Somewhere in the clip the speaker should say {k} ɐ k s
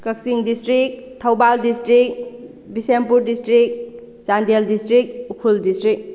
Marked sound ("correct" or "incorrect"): correct